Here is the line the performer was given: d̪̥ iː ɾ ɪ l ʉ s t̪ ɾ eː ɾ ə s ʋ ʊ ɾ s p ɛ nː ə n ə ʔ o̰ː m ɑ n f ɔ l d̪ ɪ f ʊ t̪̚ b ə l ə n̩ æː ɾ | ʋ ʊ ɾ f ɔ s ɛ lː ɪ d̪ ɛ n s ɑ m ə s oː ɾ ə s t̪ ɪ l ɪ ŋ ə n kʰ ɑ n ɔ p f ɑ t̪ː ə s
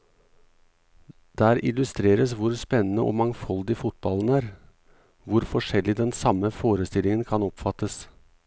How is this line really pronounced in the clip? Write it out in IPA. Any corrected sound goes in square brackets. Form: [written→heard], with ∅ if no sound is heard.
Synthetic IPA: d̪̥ [iː→æː] ɾ ɪ l ʉ s t̪ ɾ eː ɾ ə s ʋ ʊ ɾ s p ɛ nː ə n ə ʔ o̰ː m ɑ [n→ŋ] f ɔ l d̪ ɪ f ʊ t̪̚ b [ə→ɑ] l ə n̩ æː ɾ | ʋ ʊ ɾ f ɔ [s→ʂ] ɛ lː ɪ d̪ ɛ n s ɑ m ə [s→f] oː ɾ ə s t̪ ɪ l ɪ ŋ ə n kʰ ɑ n ɔ p f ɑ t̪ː ə s